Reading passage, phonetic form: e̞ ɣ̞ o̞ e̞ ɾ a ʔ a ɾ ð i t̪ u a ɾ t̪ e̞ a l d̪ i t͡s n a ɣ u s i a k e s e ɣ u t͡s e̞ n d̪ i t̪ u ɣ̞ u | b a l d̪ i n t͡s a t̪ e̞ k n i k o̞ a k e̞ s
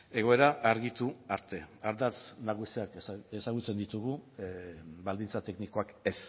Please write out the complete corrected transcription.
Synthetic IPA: e̞ ɣ̞ o̞ e̞ ɾ a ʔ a ɾ ɣ i t̪ u a ɾ t̪ e̞ a ɾ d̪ a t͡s n a ɣ u s i a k e s a ɣ u t͡s e̞ n d̪ i t̪ u ɣ̞ u | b a l d̪ i n t͡s a t̪ e̞ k n i k o̞ a k e̞ s